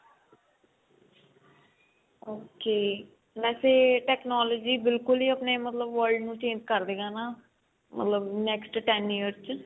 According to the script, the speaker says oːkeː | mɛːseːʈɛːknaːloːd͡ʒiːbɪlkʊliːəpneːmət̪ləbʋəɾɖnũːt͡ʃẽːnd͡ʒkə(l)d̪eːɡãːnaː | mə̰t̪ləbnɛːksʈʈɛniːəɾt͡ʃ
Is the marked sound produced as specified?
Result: no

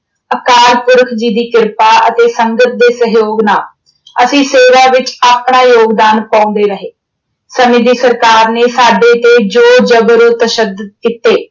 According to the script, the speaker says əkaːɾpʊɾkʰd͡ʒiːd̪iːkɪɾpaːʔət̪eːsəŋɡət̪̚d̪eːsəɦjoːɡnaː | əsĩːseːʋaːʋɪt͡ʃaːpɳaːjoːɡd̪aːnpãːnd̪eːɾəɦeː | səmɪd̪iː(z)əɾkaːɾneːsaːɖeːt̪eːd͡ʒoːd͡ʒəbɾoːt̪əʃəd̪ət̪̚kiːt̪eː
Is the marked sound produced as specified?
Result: no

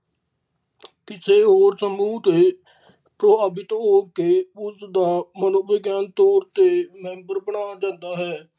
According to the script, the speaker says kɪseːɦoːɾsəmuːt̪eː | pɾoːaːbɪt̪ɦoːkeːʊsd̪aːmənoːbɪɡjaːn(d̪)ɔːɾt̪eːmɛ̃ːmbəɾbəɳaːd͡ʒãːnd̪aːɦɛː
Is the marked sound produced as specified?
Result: no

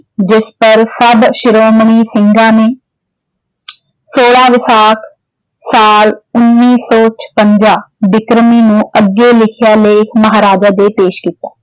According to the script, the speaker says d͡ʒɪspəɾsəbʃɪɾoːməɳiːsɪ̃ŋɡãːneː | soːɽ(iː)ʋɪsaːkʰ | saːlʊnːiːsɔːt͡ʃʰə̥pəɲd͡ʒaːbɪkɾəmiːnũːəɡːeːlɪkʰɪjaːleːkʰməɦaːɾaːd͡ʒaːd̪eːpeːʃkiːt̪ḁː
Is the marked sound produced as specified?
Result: no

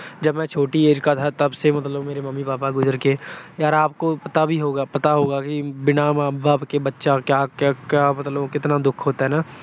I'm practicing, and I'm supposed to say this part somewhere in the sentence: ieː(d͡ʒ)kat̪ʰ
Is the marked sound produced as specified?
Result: yes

